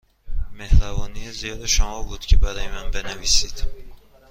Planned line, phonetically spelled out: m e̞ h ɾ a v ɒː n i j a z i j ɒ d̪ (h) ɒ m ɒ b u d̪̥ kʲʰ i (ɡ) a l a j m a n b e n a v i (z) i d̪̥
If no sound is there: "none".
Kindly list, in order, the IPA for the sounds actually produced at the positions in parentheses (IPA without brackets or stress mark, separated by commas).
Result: ʃ, b, s